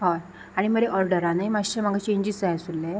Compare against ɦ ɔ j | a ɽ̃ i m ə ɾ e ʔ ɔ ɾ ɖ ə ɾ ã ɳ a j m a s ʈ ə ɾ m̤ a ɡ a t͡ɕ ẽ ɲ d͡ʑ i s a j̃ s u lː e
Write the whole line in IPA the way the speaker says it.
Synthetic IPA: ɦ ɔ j | a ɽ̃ i m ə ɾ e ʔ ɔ ɾ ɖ ə ɾ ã n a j m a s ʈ ə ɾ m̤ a ɡ a t͡ɕ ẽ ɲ d͡ʑ i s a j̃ s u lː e